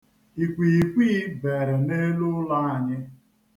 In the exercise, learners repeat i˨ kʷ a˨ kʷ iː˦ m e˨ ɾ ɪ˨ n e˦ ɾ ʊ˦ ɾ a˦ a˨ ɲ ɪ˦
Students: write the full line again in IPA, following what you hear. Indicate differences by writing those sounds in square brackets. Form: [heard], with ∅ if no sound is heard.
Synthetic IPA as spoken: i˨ kʷ [i˨] kʷ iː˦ [b] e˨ ɾ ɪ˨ n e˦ [l] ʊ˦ [l] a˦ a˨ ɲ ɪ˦